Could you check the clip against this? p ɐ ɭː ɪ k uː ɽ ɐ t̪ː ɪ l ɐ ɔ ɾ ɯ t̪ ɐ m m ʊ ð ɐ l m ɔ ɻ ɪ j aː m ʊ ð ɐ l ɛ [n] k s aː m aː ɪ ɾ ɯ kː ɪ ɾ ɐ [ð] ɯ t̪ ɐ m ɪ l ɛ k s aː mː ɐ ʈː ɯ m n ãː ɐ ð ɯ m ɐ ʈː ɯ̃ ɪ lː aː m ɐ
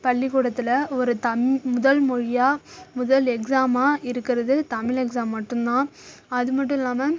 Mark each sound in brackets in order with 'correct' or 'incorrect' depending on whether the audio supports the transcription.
incorrect: none, correct

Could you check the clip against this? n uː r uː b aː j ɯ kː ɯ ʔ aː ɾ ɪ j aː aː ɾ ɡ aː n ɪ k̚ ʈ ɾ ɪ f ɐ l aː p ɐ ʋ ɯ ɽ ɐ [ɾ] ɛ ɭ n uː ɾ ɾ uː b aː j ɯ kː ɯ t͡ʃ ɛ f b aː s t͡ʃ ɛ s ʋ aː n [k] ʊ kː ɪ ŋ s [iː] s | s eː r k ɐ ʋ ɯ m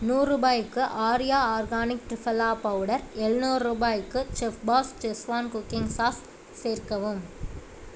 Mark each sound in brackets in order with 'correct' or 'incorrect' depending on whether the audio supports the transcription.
correct, correct, incorrect: aː

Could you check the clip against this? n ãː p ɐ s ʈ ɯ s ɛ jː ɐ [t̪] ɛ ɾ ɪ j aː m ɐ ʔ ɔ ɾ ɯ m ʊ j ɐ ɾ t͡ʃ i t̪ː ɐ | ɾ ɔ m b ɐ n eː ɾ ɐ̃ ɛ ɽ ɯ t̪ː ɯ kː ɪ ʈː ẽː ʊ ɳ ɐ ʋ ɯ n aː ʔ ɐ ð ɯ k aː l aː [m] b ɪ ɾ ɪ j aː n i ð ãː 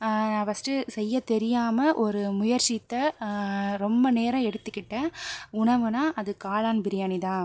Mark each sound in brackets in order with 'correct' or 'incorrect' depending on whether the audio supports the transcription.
correct, incorrect: n

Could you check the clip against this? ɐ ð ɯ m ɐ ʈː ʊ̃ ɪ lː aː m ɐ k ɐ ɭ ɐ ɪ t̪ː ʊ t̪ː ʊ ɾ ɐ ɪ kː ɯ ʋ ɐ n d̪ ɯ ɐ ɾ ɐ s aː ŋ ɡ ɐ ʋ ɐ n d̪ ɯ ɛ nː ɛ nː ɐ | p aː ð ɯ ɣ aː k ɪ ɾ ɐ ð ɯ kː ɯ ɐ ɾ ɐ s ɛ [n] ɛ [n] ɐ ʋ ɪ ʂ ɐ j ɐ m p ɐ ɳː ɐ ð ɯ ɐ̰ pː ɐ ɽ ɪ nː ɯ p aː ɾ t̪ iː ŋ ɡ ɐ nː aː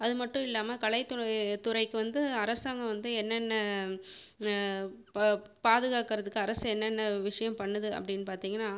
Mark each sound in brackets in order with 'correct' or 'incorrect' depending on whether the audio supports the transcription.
incorrect: nː, incorrect: nː

